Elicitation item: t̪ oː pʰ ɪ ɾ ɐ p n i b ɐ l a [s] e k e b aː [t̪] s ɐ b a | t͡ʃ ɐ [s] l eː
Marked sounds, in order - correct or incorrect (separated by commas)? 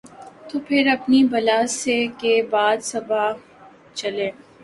correct, incorrect, incorrect